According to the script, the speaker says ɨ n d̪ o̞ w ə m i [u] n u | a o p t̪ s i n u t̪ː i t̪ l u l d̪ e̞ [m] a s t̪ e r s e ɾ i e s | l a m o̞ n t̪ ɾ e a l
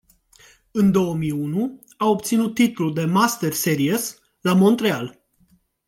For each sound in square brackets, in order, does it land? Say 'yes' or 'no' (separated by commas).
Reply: yes, yes